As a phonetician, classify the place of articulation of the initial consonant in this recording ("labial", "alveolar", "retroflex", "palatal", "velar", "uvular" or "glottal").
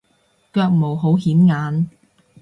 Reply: velar